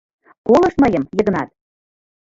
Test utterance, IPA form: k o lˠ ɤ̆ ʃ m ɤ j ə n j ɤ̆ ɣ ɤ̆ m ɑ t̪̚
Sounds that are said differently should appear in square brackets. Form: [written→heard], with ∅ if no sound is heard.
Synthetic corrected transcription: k o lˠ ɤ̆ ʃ m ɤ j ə [n→m] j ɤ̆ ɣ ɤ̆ [m→n] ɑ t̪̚